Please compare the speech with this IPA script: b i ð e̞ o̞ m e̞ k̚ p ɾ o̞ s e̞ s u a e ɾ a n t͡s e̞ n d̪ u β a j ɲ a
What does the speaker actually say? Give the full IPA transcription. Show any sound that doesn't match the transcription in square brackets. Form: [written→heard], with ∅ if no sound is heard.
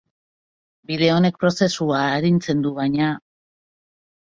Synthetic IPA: b i ð e̞ o̞ [m→n] e̞ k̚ p ɾ o̞ s e̞ s u a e ɾ [a→i] n t͡s e̞ n d̪ u β a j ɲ a

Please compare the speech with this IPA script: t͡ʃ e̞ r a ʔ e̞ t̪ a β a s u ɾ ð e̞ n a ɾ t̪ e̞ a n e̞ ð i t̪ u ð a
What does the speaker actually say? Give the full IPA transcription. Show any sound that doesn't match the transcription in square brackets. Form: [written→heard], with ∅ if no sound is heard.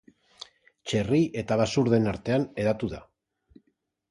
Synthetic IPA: t͡ʃ e̞ r [a→i] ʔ e̞ t̪ a β a s u ɾ ð e̞ n a ɾ t̪ e̞ a n e̞ ð [i→a] t̪ u ð a

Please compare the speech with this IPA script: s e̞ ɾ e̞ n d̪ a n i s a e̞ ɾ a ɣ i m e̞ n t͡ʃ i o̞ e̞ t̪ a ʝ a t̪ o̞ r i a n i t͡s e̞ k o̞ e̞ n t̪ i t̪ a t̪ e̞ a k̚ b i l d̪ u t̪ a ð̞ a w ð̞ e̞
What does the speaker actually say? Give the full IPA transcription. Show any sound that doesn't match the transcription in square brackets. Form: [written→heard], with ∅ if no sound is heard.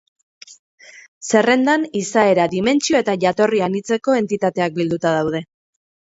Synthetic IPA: s e̞ [ɾ→r] e̞ n d̪ a n i s a e̞ ɾ a [ɣ→ð] i m e̞ n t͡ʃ i o̞ e̞ t̪ a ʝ a t̪ o̞ r i a n i t͡s e̞ k o̞ e̞ n t̪ i t̪ a t̪ e̞ a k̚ b i l d̪ u t̪ a ð̞ a w ð̞ e̞

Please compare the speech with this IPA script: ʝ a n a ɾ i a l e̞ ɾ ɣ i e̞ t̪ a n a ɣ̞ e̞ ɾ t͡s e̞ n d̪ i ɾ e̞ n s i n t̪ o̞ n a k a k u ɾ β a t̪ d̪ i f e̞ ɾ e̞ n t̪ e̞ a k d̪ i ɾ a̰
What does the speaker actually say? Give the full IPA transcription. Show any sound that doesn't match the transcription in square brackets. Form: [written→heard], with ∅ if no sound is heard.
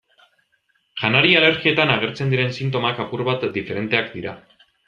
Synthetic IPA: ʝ a n a ɾ i a l e̞ ɾ ɣ i e̞ t̪ a n a ɣ̞ e̞ ɾ t͡s e̞ n d̪ i ɾ e̞ n s i n t̪ o̞ [n→m] a k a [k→p] u ɾ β a t̪ d̪ i f e̞ ɾ e̞ n t̪ e̞ a k d̪ i ɾ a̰

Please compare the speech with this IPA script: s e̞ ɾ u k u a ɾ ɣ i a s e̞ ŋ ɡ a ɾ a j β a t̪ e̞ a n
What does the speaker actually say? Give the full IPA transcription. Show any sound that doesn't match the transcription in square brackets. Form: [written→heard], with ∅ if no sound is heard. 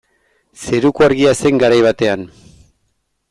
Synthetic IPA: s e̞ ɾ u k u a ɾ ɣ i a s e̞ ŋ ɡ a ɾ a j β a t̪ e̞ a n

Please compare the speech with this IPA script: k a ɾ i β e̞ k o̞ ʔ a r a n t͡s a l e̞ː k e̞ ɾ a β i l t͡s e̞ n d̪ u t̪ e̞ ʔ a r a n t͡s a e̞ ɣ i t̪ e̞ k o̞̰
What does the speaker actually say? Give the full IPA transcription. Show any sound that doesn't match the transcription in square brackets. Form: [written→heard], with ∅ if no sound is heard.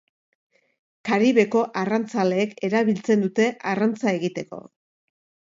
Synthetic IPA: k a ɾ i β e̞ k o̞ ʔ a r a n t͡s a l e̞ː k e̞ ɾ a β i l t͡s e̞ n d̪ u t̪ e̞ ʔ a r a n t͡s a e̞ ɣ i t̪ e̞ k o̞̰

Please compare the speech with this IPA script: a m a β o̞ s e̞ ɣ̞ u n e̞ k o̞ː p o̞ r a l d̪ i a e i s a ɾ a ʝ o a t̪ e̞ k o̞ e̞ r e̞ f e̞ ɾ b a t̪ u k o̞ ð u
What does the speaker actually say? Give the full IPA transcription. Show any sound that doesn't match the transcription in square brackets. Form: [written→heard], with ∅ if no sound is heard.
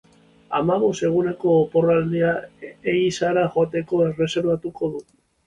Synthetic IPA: a m a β o̞ s e̞ ɣ̞ u n e̞ k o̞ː p o̞ r a l d̪ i a e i s a ɾ a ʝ o a t̪ e̞ k o̞ e̞ r e̞ [f→s] e̞ ɾ [b→β] a t̪ u k o̞ ð u

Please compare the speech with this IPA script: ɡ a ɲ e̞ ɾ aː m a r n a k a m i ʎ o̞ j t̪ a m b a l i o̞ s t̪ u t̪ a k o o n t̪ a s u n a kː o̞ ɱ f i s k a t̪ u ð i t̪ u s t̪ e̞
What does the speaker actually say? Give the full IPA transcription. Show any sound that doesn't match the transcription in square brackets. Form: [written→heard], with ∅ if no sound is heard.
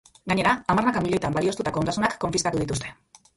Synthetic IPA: ɡ a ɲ e̞ ɾ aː m a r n a k a m i ʎ o̞ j t̪ a m b a l i o̞ s t̪ u t̪ a k o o n [t̪→d̪] a s u n a kː o̞ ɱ f i s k a t̪ u ð i t̪ u s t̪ e̞

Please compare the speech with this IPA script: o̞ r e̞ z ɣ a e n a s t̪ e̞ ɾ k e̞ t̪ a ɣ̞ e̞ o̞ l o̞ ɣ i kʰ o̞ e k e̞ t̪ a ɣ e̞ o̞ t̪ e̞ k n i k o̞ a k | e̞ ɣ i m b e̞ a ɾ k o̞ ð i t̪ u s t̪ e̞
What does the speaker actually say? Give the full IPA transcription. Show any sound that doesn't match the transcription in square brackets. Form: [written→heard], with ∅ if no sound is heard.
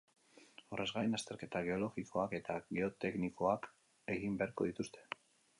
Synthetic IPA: o̞ r e̞ z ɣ a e n a s t̪ e̞ ɾ k e̞ t̪ a ɣ̞ e̞ o̞ l o̞ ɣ i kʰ o̞ [e→a] k e̞ t̪ a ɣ e̞ o̞ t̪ e̞ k n i k o̞ a k | e̞ ɣ i m b e̞ a ɾ k o̞ ð i t̪ u s t̪ e̞

